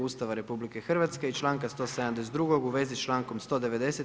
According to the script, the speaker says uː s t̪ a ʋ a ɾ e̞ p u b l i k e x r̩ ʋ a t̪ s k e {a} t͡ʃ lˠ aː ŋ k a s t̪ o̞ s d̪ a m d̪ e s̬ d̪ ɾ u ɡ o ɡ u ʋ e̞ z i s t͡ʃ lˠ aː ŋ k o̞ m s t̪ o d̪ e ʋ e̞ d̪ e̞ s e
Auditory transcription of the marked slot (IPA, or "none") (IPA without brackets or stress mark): i